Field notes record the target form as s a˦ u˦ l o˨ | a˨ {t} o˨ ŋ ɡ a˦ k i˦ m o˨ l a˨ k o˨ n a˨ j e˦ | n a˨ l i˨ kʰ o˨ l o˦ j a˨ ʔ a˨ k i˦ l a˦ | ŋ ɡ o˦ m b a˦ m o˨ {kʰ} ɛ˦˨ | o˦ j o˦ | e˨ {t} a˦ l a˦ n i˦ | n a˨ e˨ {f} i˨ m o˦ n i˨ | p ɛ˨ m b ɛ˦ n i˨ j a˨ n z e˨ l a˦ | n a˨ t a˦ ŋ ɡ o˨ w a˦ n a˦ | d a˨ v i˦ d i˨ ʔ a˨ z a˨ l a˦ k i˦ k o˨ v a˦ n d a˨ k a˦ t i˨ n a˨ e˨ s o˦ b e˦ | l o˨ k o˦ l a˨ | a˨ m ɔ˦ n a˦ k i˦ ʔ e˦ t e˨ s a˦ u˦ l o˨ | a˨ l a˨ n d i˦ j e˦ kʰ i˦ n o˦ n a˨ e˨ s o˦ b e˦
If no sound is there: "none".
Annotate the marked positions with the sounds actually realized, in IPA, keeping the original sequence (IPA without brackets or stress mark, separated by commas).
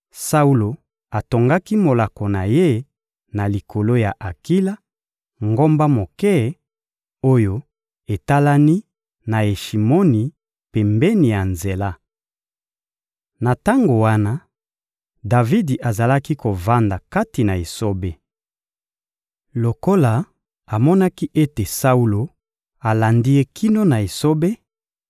t, k, t, ʃ